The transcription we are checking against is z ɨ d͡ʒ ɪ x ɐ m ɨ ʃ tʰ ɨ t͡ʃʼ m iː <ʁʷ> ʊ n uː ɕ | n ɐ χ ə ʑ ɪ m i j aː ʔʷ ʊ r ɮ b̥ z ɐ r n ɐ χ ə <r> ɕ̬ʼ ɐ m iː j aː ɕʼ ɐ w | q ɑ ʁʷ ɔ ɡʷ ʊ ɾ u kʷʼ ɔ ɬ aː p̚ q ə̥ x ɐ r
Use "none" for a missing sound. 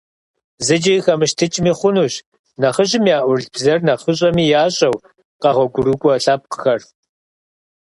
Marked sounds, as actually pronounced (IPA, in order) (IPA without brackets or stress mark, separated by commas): χʷ, none